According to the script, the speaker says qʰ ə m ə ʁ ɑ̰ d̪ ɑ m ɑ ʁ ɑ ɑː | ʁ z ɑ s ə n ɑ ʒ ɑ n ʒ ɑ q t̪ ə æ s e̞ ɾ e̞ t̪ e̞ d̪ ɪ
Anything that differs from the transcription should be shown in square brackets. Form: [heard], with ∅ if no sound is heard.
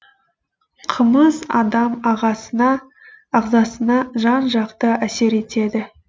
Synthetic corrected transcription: qʰ ə m ə [z] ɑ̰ d̪ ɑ m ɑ ʁ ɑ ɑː | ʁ z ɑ s ə n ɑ ʒ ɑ n ʒ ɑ q t̪ ə æ s e̞ ɾ e̞ t̪ e̞ d̪ ɪ